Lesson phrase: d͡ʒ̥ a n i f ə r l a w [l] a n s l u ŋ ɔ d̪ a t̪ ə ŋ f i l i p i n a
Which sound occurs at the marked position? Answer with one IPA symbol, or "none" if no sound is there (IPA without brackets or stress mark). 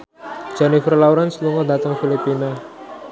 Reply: ɾ